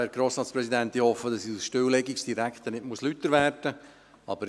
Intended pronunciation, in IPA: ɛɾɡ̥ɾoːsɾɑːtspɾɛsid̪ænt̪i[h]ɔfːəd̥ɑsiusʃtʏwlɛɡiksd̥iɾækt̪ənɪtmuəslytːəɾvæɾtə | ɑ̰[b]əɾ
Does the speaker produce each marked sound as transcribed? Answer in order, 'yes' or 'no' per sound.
yes, yes

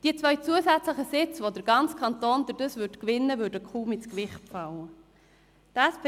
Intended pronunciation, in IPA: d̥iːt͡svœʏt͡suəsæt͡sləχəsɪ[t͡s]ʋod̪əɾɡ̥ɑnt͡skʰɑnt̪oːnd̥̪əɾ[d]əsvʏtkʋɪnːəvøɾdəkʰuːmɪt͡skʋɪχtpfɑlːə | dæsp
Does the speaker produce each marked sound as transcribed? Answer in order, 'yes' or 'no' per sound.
yes, yes

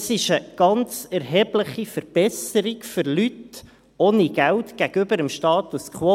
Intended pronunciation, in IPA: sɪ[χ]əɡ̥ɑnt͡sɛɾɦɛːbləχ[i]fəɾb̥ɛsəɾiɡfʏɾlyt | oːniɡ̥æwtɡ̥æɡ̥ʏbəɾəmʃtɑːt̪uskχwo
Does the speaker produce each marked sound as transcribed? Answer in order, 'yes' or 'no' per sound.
no, yes

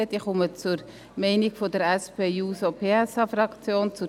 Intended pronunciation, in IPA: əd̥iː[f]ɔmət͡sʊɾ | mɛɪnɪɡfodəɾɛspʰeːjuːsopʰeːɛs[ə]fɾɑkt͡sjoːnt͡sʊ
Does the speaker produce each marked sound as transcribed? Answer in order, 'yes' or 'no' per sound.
no, no

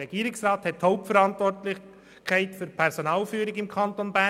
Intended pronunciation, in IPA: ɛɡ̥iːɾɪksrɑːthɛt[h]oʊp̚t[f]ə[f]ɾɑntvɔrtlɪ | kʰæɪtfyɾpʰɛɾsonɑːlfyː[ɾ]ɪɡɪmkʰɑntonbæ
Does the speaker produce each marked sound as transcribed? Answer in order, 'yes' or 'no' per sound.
yes, yes, no, yes

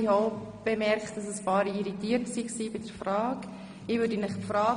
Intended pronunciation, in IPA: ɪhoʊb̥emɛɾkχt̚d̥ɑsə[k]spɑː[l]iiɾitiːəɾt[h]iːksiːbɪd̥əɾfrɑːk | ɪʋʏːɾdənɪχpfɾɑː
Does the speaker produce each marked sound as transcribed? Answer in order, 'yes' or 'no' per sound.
no, no, no

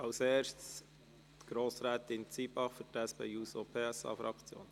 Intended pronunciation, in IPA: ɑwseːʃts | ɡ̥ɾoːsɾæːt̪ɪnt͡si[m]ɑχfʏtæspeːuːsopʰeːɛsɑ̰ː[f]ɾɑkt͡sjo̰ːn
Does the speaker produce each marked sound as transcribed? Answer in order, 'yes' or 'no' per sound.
no, yes

